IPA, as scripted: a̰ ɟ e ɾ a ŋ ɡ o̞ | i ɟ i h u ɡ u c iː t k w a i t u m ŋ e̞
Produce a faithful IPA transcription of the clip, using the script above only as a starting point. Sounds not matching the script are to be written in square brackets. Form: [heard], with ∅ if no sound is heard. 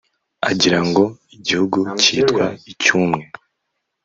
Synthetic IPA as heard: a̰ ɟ [i] ɾ a ŋ ɡ o̞ | i ɟ i h u ɡ u c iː t k w a i [c] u m ŋ e̞